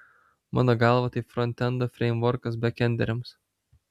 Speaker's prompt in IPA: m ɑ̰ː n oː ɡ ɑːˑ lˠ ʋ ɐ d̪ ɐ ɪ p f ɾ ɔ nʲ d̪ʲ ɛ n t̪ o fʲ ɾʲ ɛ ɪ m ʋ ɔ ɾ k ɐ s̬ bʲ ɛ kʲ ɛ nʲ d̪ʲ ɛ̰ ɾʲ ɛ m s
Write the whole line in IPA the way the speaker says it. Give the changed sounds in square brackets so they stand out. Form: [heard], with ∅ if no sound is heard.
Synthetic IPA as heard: m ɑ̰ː n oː ɡ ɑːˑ lˠ ʋ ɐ [t̪] ɐ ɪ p f ɾ ɔ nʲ [t̪ʲ] ɛ n [d̪] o fʲ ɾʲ ɛ ɪ m ʋ ɔ ɾ k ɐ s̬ bʲ ɛ kʲ ɛ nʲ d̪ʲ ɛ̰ ɾʲ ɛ m s